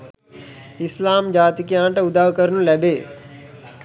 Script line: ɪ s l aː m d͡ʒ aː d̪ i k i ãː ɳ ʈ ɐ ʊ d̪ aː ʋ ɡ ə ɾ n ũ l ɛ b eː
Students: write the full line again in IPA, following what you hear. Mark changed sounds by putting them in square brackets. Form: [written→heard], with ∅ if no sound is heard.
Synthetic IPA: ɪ s l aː m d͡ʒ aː [d̪→t̪] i k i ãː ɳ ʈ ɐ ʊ d̪ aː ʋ [ɡ→k] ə ɾ n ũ l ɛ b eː